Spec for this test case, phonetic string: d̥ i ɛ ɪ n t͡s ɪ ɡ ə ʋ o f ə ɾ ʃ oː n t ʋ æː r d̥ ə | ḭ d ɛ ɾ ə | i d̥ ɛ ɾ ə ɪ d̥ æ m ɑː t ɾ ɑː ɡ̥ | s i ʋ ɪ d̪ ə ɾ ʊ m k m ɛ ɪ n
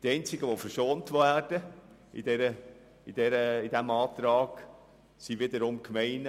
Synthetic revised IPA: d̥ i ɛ ɪ n t͡s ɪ ɡ ə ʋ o f ə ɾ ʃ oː n t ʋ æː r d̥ ə | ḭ d ɛ ɾ ə | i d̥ ɛ ɾ ə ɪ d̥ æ m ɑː t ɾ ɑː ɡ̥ | s i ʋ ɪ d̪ ə ɾ ʊ m k m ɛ ɪ n